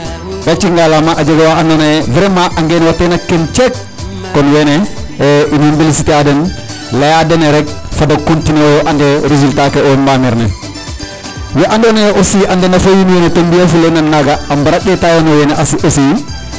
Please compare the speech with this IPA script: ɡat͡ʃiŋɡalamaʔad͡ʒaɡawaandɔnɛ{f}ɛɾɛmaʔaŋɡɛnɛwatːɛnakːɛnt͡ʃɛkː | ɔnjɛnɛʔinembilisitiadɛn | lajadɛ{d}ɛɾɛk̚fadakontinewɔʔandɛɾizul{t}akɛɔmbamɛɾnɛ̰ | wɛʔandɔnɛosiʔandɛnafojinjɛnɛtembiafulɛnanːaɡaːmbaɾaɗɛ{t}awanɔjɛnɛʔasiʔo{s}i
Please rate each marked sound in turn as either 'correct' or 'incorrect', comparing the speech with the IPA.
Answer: incorrect, incorrect, correct, correct, correct

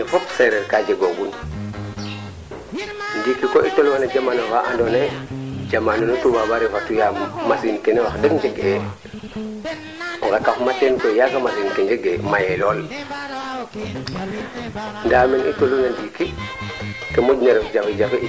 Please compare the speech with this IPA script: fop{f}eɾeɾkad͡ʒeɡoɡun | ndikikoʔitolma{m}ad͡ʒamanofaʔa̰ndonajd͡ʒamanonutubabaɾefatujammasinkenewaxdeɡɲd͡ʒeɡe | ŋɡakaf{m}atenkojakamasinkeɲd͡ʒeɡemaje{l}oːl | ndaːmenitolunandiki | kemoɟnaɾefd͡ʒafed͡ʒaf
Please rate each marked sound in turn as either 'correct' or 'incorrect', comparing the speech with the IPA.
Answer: incorrect, incorrect, correct, correct

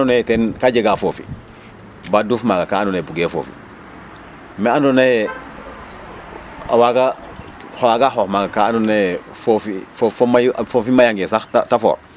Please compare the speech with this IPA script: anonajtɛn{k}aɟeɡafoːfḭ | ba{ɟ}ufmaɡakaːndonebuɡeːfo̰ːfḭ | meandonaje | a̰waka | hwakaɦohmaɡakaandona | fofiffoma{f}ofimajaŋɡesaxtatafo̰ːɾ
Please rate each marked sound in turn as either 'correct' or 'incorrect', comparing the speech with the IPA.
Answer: correct, incorrect, correct

